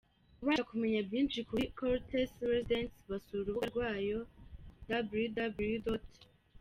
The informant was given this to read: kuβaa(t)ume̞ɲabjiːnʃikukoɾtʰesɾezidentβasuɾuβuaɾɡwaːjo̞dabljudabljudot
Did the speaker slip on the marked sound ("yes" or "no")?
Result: yes